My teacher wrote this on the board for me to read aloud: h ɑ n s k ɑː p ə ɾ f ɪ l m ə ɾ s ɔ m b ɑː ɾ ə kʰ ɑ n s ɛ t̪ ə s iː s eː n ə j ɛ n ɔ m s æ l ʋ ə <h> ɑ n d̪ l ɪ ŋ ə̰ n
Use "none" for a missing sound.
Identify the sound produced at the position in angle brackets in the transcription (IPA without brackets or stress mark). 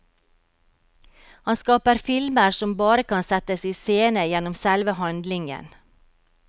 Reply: h